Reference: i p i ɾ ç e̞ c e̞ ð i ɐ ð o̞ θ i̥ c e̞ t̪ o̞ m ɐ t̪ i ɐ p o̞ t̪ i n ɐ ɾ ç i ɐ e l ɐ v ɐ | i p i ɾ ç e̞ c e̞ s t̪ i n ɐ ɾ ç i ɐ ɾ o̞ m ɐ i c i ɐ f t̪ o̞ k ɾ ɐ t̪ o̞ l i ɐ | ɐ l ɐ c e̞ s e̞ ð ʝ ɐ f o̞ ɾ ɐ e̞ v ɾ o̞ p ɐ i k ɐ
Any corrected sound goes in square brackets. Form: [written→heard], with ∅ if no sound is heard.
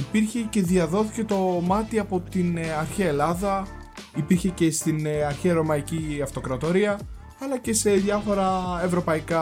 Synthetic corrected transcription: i p i ɾ ç e̞ c e̞ ð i ɐ ð o̞ θ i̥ c e̞ t̪ o̞ m ɐ t̪ i ɐ p o̞ t̪ i n ɐ ɾ ç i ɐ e l ɐ [v→ð] ɐ | i p i ɾ ç e̞ c e̞ s t̪ i n ɐ ɾ ç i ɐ ɾ o̞ m ɐ i c i ɐ f t̪ o̞ k ɾ ɐ t̪ o̞ [l→ɾ] i ɐ | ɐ l ɐ c e̞ s e̞ ð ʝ ɐ f o̞ ɾ ɐ e̞ v ɾ o̞ p ɐ i k ɐ